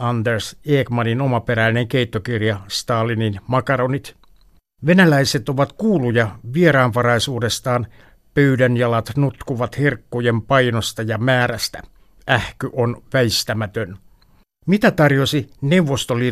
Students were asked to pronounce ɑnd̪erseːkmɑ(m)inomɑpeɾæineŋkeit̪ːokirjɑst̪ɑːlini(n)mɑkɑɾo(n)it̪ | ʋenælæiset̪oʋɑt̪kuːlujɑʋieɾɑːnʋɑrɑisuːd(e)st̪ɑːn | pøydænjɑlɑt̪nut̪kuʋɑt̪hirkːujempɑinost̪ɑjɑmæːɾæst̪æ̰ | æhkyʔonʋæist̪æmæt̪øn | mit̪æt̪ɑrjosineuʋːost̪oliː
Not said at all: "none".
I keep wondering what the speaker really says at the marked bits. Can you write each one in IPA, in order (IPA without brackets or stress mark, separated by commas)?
n, n, n, e